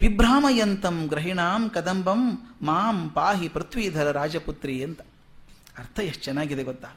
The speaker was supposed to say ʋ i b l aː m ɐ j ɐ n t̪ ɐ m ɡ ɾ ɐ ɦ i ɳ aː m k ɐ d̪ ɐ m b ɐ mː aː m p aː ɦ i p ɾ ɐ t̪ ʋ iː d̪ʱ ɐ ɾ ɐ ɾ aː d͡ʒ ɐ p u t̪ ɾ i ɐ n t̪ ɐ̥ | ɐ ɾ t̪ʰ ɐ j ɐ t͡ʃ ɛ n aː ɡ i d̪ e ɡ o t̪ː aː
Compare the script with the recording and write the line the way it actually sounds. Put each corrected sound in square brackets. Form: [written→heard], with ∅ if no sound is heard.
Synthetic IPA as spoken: ʋ i b [l→ɾ] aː m ɐ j ɐ n t̪ ɐ m ɡ ɾ ɐ ɦ i ɳ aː m k ɐ d̪ ɐ m b ɐ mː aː m p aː ɦ i p ɾ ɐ t̪ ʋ iː d̪ʱ ɐ ɾ ɐ ɾ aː d͡ʒ ɐ p u t̪ ɾ i ɐ n t̪ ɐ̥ | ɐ ɾ t̪ʰ ɐ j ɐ t͡ʃ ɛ n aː ɡ i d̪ e ɡ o t̪ː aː